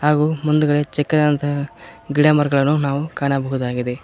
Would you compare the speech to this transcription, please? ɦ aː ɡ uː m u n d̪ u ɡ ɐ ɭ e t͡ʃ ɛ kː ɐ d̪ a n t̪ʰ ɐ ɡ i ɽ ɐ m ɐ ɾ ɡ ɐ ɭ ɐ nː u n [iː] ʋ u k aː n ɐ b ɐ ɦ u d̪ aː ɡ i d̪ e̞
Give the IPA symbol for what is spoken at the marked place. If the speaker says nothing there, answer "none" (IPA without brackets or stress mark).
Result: aː